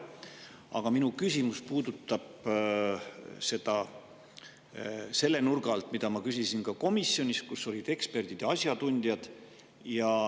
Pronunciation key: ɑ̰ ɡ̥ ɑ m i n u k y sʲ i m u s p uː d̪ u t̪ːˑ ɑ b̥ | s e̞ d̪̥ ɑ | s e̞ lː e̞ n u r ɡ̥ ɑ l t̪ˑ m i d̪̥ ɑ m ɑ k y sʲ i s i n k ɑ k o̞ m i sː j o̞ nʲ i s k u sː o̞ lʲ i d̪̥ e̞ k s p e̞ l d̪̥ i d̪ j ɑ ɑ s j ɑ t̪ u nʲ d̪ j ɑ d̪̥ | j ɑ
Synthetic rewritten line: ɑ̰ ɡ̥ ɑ m i n u k y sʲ i m u s p uː d̪ u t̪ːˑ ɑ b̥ | s e̞ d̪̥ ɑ | s e̞ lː e̞ n u r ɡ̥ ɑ l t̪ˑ m i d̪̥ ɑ m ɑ k y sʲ i s i n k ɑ k o̞ m i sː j o̞ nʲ i s k u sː o̞ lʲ i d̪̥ e̞ k s p e̞ r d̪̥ i d̪ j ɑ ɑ s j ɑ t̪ u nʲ d̪ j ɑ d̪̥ | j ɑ

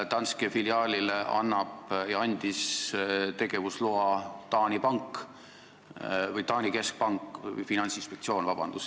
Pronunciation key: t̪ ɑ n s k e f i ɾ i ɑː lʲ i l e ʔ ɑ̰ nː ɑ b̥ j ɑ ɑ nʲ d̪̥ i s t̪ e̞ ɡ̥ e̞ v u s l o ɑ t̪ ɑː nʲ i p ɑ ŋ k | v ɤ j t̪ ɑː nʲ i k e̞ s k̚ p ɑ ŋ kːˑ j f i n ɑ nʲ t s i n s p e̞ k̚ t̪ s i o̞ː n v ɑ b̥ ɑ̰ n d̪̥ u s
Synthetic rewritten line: t̪ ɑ n s k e f i l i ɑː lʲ i l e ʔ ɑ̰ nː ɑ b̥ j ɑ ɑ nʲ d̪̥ i s t̪ e̞ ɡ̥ e̞ v u s l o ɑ t̪ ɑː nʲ i p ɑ ŋ k | v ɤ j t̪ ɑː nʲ i k e̞ s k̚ p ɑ ŋ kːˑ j f i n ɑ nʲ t s i n s p e̞ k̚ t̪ s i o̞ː n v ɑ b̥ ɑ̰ n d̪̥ u s

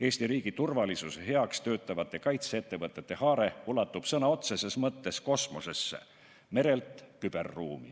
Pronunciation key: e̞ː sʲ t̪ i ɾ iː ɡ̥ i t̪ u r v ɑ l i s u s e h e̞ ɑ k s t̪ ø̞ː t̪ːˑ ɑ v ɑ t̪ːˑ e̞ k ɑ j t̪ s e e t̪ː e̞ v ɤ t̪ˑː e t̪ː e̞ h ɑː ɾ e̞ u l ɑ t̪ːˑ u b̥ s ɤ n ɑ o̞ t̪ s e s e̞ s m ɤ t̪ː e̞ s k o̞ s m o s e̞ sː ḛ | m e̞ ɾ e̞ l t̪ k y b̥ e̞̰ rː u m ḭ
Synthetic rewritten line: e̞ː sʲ t̪ i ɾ iː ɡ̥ i t̪ u r v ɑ l i s u s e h e̞ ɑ k s t̪ ø̞ː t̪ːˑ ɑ v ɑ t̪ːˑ e̞ k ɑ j t̪ s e e t̪ː e̞ v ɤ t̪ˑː e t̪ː e̞ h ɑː ɾ e̞ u l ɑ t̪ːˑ u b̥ s ɤ n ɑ o̞ t̪ s e s e̞ s m ɤ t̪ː e̞ s k o̞ s m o s e̞ sː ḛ | m e̞ ɾ e̞ l t̪ k y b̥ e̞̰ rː uː m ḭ

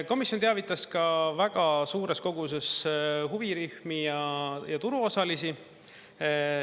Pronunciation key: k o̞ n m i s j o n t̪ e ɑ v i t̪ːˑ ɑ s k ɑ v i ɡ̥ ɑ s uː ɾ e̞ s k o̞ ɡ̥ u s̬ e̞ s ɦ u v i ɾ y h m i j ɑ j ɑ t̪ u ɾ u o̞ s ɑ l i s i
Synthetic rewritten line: k o̞ m i s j o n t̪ e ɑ v i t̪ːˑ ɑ s k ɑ v æ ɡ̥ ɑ s uː ɾ e̞ s k o̞ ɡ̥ u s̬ e̞ s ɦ u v i ɾ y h m i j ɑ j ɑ t̪ u ɾ u o̞ s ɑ l i s i

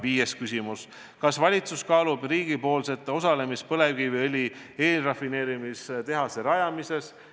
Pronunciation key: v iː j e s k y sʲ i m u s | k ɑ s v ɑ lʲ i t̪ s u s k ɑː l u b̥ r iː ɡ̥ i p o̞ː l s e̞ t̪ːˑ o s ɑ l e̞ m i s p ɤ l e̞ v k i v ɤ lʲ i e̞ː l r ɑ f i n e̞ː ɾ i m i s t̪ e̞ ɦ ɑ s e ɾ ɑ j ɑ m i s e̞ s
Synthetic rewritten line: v iː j e s k y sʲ i m u s | k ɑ s v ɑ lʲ i t̪ s u s k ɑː l u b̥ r iː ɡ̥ i p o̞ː l s e̞ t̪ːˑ o s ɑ l e̞ m i s p ɤ l e̞ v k i v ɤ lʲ i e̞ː l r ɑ f i n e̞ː ɾ i m i s t̪ e̞ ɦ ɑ s e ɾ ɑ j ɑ m i s e̞ s

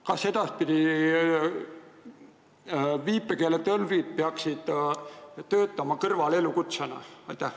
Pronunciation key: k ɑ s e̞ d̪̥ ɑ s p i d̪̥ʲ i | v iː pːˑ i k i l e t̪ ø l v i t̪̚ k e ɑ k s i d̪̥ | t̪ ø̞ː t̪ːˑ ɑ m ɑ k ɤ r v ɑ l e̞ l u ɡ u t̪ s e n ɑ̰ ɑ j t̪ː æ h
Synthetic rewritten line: k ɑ s e̞ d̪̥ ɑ s p i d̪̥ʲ i | v iː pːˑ e k e l e t̪ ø l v i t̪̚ p e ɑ k s i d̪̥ | t̪ ø̞ː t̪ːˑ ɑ m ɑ k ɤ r v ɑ l e̞ l u k u t̪ s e n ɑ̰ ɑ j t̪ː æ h

